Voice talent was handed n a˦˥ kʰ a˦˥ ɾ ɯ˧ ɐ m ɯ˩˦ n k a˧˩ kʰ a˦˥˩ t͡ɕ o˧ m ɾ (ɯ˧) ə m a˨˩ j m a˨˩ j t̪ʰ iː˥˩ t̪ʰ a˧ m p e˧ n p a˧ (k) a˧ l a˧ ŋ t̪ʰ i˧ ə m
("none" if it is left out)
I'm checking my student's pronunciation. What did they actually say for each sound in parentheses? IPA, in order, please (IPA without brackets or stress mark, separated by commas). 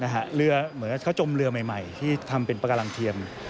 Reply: ɯ˧, k